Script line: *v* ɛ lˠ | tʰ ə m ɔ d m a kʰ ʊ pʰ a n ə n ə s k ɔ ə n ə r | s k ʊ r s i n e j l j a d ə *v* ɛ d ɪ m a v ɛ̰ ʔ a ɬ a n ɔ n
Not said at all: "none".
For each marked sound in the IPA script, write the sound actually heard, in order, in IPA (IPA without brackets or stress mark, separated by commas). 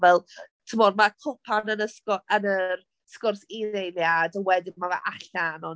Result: v, w